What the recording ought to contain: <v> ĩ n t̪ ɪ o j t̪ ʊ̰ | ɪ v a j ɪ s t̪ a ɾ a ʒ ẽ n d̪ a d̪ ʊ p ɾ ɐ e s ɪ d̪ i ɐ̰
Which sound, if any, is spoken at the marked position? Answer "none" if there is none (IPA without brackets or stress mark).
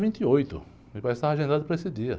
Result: v